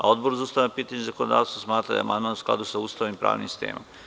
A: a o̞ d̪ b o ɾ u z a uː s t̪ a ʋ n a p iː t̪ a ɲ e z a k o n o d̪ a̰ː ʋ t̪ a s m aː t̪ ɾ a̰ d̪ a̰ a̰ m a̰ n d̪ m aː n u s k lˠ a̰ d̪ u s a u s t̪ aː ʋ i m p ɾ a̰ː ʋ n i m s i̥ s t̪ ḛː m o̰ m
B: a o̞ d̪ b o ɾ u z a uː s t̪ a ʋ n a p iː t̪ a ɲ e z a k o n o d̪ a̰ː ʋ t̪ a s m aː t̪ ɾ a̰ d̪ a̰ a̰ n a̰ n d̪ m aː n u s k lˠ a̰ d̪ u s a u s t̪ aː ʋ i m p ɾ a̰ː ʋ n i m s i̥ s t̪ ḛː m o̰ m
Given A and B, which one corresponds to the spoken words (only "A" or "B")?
A